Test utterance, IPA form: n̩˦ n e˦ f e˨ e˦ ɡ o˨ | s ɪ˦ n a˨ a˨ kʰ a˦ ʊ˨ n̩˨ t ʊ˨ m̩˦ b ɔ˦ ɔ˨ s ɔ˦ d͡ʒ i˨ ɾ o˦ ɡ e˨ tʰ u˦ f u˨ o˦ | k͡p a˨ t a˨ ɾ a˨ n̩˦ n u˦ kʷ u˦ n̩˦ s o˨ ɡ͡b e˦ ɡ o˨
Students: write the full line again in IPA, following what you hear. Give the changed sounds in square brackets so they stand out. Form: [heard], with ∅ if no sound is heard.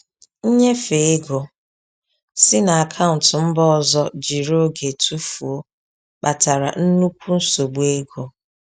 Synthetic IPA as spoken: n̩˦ [ɲ] e˦ f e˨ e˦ ɡ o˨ | s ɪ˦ n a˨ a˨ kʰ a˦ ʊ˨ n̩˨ t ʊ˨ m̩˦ b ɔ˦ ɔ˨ [z] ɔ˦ d͡ʒ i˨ ɾ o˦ ɡ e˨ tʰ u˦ f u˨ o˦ | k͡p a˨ t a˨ ɾ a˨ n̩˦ n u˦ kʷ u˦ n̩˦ s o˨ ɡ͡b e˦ ɡ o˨